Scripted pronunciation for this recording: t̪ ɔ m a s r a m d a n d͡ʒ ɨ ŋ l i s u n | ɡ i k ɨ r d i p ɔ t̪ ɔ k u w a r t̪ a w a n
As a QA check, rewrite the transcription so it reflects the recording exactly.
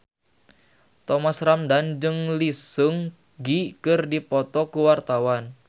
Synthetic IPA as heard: t̪ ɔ m a s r a m d a n d͡ʒ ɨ ŋ l i s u ŋ | ɡ i k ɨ r d i p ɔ t̪ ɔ k u w a r t̪ a w a n